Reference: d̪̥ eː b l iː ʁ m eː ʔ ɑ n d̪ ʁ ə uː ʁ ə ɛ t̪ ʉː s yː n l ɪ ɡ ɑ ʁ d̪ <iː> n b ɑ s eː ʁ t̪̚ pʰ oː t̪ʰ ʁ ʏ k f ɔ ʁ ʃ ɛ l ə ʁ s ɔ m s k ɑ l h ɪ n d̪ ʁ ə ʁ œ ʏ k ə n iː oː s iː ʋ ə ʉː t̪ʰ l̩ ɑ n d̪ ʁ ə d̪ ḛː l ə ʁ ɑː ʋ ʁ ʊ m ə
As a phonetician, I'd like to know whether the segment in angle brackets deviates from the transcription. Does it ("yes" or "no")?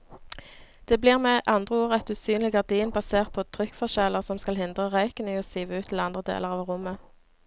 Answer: no